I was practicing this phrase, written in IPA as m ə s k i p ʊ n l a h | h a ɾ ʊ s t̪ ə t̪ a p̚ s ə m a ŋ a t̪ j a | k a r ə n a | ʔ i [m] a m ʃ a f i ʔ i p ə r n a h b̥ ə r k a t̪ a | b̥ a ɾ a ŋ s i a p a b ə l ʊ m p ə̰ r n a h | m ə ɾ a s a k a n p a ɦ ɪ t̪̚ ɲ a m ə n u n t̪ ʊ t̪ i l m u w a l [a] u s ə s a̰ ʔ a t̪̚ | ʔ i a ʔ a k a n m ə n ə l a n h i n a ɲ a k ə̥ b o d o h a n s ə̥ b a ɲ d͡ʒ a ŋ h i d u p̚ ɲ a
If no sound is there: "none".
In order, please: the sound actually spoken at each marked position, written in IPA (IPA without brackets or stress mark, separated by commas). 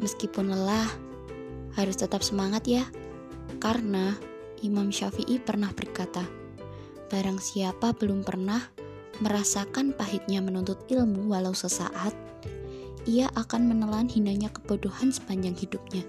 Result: m, a